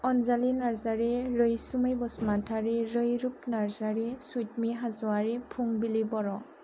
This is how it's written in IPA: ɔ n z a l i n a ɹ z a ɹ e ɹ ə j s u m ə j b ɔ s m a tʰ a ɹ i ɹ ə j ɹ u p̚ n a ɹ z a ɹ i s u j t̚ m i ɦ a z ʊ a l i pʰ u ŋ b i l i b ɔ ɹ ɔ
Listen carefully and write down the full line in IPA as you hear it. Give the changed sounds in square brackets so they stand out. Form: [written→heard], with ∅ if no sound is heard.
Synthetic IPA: ɔ n z a l i n a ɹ z a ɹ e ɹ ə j s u m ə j b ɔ s m a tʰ a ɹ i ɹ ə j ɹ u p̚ n a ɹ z a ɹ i s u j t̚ m i ɦ a z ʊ a [l→ɹ] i pʰ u ŋ b i l i b ɔ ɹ ɔ